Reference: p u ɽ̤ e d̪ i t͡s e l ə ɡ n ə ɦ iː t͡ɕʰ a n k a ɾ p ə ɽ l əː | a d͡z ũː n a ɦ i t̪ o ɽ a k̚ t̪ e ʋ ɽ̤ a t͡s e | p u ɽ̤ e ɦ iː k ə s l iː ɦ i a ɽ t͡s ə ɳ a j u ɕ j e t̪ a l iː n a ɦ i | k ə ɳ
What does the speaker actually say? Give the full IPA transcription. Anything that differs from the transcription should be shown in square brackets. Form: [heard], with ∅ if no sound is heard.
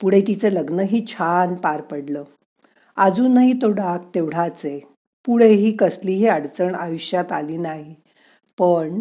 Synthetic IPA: p u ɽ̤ e [t̪] i t͡s e l ə ɡ n ə ɦ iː t͡ɕʰ a n [p] a ɾ p ə ɽ l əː | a d͡z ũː n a ɦ i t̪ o ɽ a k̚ t̪ e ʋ ɽ̤ a t͡s e | p u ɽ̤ e ɦ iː k ə s l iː ɦ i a ɽ t͡s ə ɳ a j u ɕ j [a] t̪ a l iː n a ɦ i | [p] ə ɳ